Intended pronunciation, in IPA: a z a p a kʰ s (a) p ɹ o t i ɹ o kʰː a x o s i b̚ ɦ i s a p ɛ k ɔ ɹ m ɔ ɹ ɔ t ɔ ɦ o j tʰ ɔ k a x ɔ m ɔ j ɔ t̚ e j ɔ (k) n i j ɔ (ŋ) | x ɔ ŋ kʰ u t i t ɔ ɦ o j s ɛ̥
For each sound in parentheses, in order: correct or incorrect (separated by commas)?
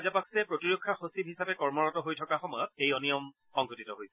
incorrect, incorrect, incorrect